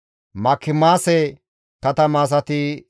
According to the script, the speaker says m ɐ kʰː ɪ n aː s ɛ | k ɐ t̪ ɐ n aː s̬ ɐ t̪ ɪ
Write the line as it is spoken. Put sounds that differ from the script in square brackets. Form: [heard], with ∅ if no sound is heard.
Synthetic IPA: m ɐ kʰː ɪ [m] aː s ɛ | k ɐ t̪ ɐ [m] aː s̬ ɐ t̪ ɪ

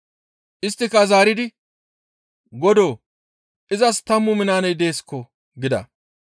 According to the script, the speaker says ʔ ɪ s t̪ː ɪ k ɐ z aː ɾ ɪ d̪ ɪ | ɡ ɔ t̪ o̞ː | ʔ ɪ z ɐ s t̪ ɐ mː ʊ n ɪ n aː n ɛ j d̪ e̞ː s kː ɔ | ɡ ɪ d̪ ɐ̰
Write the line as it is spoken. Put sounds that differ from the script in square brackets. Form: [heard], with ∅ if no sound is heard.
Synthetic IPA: ʔ ɪ s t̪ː ɪ k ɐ z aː ɾ ɪ d̪ ɪ | ɡ ɔ [d̪] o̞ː | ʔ ɪ z ɐ s t̪ ɐ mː ʊ [m] ɪ n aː n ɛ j d̪ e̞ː s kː ɔ | ɡ ɪ d̪ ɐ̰

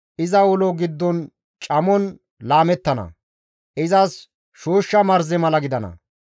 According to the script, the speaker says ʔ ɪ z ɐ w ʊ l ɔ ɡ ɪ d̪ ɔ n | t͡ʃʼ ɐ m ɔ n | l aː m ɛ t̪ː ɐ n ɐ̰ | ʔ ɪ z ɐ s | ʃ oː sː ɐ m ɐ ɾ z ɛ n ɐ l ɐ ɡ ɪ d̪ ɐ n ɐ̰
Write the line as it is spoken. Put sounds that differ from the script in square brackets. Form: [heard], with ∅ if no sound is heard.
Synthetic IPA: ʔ ɪ z ɐ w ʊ l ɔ ɡ ɪ [d̪ː] ɔ n | t͡ʃʼ ɐ m ɔ n | l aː m ɛ t̪ː ɐ n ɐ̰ | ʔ ɪ z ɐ s | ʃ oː [ʃː] ɐ m ɐ ɾ z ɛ [m] ɐ l ɐ ɡ ɪ d̪ ɐ n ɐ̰

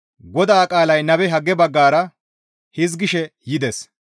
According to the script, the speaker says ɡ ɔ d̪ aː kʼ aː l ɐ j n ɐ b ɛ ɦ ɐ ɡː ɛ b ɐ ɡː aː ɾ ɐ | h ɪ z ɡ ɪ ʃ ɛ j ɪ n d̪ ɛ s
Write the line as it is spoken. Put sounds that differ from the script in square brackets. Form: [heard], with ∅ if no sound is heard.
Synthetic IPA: ɡ ɔ d̪ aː kʼ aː l ɐ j n ɐ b ɛ ɦ ɐ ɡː ɛ b ɐ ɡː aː ɾ ɐ | h ɪ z ɡ ɪ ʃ ɛ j ɪ [∅] d̪ ɛ s

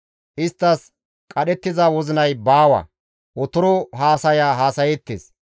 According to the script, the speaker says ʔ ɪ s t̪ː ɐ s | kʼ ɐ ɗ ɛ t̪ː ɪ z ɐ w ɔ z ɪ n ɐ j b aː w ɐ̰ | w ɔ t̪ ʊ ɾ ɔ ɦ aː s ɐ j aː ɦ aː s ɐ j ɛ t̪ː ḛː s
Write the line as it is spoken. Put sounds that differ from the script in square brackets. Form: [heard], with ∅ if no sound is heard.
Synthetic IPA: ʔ ɪ s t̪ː ɐ s | kʼ ɐ ɗ ɛ t̪ː ɪ z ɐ w ɔ z ɪ n ɐ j b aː w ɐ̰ | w ɔ t̪ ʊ ɾ ɔ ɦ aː s ɐ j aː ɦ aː s ɐ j ɛ t̪ː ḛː s

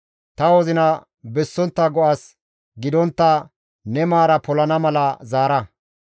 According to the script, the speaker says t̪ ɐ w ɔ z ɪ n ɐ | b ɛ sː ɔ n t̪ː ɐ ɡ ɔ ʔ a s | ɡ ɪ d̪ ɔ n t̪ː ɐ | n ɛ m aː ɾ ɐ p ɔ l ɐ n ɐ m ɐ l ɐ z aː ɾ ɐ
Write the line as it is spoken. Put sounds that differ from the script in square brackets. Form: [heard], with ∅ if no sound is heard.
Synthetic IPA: t̪ ɐ w ɔ z ɪ n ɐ | b ɛ sː ɔ n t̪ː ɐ ɡ ɔ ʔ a s | ɡ ɪ d̪ ɔ n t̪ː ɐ | n ɛ m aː ɾ ɐ p ɔ l ɐ n ɐ m ɐ l ɐ z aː ɾ ɐ

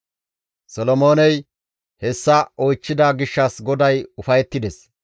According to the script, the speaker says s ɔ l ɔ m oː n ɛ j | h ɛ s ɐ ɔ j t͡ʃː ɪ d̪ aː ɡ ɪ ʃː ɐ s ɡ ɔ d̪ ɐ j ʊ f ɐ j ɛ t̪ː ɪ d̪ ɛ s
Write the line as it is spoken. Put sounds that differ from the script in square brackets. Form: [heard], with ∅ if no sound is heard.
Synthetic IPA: s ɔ l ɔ m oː n ɛ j | h ɛ [sː] ɐ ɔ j t͡ʃː ɪ d̪ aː ɡ ɪ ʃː ɐ s ɡ ɔ d̪ ɐ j ʊ f ɐ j ɛ t̪ː ɪ d̪ ɛ s

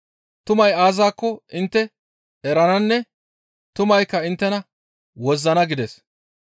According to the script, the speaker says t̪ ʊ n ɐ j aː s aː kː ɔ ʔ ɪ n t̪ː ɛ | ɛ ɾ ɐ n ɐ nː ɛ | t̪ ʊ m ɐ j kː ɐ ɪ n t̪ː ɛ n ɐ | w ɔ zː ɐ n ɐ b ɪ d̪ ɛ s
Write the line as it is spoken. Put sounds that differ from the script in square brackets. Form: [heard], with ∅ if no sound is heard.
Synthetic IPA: t̪ ʊ [m] ɐ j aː [z] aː kː ɔ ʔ ɪ n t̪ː ɛ | ɛ ɾ ɐ n ɐ nː ɛ | t̪ ʊ m ɐ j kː ɐ ɪ n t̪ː ɛ n ɐ | w ɔ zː ɐ n ɐ [ɡ] ɪ d̪ ɛ s

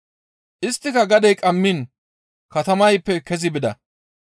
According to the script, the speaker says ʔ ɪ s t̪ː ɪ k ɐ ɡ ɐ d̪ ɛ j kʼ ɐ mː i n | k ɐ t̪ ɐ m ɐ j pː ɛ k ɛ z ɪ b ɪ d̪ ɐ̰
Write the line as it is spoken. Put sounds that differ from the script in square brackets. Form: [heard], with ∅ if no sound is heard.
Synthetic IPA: ʔ ɪ s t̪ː ɪ k ɐ ɡ ɐ d̪ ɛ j kʼ ɐ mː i n | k ɐ t̪ ɐ m ɐ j pː ɛ k ɛ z ɪ b ɪ d̪ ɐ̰

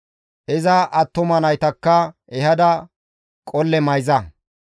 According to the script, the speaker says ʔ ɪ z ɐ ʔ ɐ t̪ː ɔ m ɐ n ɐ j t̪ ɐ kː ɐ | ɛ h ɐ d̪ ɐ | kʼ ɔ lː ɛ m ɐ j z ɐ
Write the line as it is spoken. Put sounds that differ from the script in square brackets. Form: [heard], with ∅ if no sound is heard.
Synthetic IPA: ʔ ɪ z ɐ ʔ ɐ t̪ː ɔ m ɐ n ɐ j t̪ ɐ kː ɐ | ɛ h ɐ d̪ ɐ | kʼ ɔ lː ɛ m ɐ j z ɐ

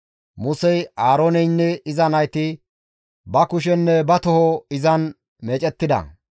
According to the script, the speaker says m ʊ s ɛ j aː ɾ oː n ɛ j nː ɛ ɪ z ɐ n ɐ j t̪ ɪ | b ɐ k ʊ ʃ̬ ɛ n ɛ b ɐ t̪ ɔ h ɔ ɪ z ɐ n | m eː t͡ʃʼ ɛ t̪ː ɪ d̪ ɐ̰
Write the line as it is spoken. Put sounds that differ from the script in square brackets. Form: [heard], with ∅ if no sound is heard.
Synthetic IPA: m ʊ s ɛ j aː ɾ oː n ɛ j nː ɛ ɪ z ɐ n ɐ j t̪ ɪ | b ɐ k ʊ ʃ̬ ɛ [nː] ɛ b ɐ t̪ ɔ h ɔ ɪ z ɐ n | m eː t͡ʃʼ ɛ t̪ː ɪ d̪ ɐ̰

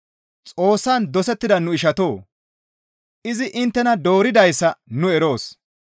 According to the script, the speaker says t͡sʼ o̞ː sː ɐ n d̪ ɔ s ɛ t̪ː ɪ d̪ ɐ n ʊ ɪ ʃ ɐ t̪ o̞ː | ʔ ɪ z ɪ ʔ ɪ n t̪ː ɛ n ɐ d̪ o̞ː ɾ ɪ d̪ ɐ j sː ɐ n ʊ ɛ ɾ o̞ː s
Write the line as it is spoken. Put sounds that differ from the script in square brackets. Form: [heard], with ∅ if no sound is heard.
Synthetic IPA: t͡sʼ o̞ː sː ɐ n d̪ ɔ s ɛ t̪ː ɪ d̪ ɐ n ʊ ɪ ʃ ɐ t̪ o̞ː | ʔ ɪ z ɪ ʔ ɪ n t̪ː ɛ n ɐ d̪ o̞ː ɾ ɪ d̪ ɐ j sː ɐ n ʊ ɛ ɾ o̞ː s

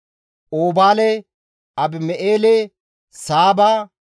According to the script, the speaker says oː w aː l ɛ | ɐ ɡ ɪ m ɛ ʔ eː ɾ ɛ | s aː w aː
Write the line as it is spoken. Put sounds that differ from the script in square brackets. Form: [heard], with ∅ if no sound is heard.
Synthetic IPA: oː [b] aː l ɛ | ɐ [b] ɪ m ɛ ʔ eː [l] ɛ | s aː [b] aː

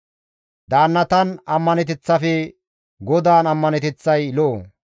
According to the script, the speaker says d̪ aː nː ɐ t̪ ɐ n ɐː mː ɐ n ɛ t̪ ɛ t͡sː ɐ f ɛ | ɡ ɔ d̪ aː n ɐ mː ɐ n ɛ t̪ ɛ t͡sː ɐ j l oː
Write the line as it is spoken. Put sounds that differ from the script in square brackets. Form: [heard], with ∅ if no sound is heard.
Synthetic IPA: d̪ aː nː ɐ t̪ ɐ n [ɐ] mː ɐ n ɛ t̪ ɛ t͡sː ɐ f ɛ | ɡ ɔ d̪ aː n ɐ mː ɐ n ɛ t̪ ɛ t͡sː ɐ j l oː

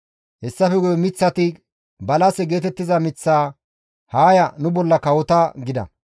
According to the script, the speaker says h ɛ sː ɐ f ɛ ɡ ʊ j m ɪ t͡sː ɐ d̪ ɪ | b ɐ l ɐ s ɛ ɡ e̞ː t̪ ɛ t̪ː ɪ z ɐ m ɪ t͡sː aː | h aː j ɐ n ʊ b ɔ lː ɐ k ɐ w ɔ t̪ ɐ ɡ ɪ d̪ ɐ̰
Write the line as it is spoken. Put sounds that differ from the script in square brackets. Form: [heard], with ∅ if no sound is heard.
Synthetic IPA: h ɛ sː ɐ f ɛ ɡ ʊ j m ɪ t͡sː ɐ [t̪] ɪ | b ɐ l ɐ s ɛ ɡ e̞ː t̪ ɛ t̪ː ɪ z ɐ m ɪ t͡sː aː | h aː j ɐ n ʊ b ɔ lː ɐ k ɐ w ɔ t̪ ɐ ɡ ɪ d̪ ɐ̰

